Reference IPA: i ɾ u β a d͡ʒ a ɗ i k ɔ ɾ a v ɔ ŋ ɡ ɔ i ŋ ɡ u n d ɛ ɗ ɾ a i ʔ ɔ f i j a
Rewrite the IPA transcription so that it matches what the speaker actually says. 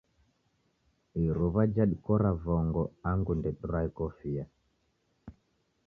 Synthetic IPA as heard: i ɾ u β a d͡ʒ a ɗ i k ɔ ɾ a v ɔ ŋ ɡ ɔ a ŋ ɡ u n d ɛ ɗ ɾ a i k ɔ f i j a